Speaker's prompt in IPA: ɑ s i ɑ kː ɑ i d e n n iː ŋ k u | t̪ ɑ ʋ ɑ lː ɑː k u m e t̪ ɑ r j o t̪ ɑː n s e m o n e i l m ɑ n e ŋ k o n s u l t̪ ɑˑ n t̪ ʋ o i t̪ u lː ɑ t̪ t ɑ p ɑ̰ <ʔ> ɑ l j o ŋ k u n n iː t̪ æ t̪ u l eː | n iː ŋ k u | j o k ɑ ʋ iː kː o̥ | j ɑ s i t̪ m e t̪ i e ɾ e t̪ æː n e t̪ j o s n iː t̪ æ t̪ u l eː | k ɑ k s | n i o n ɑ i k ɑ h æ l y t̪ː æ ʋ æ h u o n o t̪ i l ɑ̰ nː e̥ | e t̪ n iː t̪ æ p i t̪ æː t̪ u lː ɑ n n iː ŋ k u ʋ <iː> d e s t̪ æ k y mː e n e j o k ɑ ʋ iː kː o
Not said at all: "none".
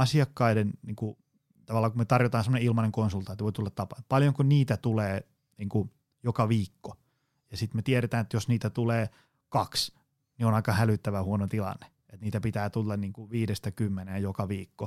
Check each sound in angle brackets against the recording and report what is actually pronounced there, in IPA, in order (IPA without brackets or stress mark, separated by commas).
p, iː